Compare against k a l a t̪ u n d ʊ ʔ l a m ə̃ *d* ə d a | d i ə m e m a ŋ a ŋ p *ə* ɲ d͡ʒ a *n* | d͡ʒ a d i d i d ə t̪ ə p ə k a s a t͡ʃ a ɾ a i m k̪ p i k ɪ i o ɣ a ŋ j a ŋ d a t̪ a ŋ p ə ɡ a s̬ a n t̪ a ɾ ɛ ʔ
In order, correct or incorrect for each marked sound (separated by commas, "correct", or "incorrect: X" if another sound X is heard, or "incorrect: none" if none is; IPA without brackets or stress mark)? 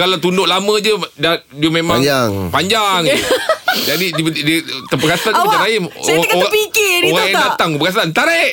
incorrect: d͡ʒ, incorrect: a, incorrect: ŋ